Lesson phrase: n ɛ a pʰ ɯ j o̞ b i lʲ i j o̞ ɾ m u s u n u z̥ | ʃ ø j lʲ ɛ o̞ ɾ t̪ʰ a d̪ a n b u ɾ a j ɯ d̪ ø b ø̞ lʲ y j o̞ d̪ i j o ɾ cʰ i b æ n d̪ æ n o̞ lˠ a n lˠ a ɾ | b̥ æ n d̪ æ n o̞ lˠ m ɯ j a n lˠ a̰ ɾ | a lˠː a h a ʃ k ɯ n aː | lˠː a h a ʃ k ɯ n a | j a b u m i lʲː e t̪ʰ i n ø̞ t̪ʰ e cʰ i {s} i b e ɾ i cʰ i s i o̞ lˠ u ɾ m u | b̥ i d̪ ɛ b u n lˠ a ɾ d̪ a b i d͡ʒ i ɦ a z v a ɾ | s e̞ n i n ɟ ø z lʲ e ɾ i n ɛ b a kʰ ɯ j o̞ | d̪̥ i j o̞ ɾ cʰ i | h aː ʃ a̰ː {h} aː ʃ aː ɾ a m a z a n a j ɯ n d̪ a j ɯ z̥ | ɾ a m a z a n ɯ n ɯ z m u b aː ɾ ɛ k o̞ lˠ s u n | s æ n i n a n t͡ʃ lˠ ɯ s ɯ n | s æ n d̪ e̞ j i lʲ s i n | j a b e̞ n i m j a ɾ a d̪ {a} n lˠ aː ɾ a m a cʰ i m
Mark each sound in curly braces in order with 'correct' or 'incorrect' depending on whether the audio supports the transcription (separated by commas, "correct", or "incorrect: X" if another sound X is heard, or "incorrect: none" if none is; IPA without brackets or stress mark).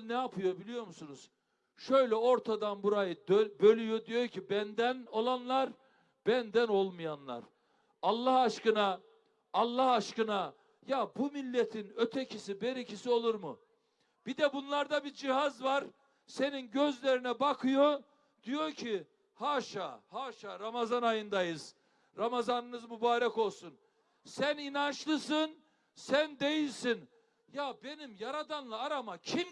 correct, correct, correct